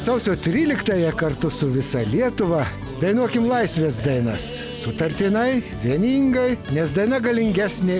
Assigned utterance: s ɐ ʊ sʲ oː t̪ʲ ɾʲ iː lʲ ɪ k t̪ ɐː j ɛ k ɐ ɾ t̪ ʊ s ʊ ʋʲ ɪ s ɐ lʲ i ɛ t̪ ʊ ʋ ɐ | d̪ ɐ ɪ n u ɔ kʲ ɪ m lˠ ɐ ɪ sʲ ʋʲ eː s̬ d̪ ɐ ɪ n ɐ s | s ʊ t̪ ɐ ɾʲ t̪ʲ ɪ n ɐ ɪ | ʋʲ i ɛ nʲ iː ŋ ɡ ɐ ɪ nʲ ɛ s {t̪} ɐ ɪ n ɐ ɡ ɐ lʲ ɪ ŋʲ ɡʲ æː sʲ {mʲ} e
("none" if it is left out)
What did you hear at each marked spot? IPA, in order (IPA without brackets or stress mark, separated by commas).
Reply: d̪, nʲ